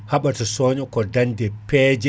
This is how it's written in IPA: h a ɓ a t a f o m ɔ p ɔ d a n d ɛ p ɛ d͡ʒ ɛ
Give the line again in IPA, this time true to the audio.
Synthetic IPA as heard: h a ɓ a t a s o ɲ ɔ k ɔ d a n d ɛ p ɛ d͡ʒ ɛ

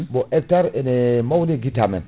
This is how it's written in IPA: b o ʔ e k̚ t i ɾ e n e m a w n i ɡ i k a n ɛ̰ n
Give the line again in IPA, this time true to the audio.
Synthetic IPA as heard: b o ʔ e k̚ t a ɾ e n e m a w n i ɡ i t a m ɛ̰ n

